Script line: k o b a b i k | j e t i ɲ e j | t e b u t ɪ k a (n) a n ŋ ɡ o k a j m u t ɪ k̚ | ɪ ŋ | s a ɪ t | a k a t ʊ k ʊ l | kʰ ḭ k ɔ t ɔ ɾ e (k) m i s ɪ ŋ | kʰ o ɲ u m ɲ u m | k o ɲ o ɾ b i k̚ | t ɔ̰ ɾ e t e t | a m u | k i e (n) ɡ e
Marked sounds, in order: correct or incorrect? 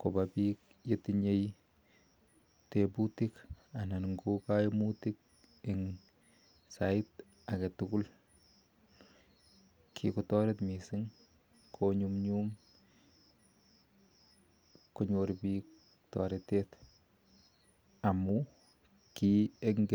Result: correct, incorrect, incorrect

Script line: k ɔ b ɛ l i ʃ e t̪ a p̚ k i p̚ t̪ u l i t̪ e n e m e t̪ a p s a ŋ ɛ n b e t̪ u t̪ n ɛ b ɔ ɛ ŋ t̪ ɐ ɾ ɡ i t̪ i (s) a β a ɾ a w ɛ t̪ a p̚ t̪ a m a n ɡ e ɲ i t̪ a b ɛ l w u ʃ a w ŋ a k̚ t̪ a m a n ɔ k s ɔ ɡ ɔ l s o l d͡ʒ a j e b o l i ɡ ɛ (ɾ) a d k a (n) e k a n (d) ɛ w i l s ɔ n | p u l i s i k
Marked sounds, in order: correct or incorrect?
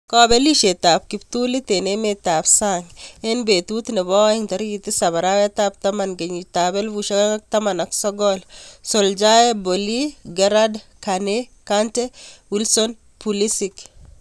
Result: correct, correct, correct, incorrect

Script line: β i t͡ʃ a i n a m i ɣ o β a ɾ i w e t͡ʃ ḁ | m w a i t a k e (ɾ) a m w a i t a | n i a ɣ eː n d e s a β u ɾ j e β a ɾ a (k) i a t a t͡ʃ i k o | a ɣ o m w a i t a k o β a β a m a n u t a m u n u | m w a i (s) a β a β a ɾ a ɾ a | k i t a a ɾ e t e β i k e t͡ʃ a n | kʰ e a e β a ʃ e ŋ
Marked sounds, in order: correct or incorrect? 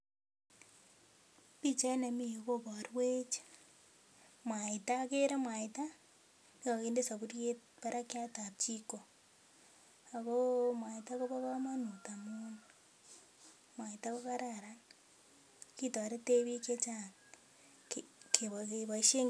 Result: correct, correct, incorrect

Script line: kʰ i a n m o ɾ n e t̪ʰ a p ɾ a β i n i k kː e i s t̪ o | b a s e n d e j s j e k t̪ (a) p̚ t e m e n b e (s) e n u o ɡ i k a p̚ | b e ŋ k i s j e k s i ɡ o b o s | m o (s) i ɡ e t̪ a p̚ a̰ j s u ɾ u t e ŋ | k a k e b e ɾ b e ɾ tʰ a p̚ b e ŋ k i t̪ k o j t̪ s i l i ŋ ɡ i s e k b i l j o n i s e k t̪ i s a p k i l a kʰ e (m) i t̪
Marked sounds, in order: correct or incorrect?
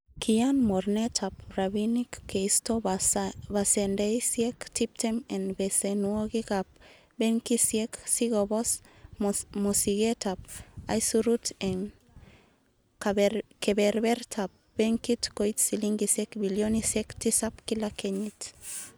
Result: incorrect, correct, correct, incorrect

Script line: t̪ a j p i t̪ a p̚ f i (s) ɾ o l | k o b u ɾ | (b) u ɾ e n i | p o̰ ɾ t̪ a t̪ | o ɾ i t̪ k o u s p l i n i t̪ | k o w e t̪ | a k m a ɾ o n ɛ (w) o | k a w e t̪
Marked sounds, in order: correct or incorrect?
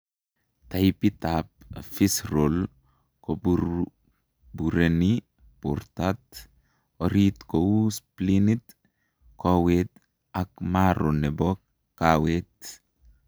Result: correct, correct, incorrect

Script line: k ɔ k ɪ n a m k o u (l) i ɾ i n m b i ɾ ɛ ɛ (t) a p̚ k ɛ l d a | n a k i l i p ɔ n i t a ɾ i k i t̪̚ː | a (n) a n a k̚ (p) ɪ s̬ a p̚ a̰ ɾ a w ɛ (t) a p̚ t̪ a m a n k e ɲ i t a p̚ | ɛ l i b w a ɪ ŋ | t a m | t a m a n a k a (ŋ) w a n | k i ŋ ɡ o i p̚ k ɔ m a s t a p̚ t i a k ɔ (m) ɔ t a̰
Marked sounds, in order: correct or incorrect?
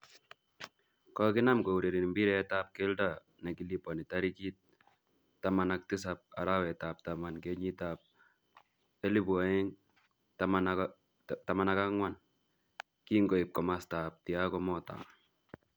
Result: incorrect, correct, incorrect, incorrect, correct, correct, correct

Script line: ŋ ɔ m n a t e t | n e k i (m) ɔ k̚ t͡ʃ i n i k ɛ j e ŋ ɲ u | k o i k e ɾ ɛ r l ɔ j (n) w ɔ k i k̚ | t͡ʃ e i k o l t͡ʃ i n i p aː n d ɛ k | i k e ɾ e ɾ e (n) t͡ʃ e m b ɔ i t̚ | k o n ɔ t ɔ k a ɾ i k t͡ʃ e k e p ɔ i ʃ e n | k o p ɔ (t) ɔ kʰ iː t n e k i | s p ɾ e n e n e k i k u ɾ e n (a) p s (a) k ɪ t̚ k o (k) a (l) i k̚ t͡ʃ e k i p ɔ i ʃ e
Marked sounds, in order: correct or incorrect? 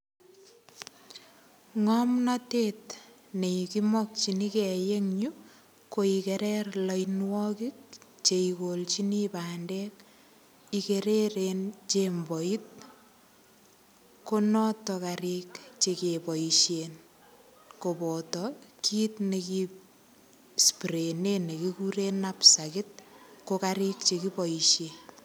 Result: correct, correct, correct, correct, correct, correct, correct, incorrect

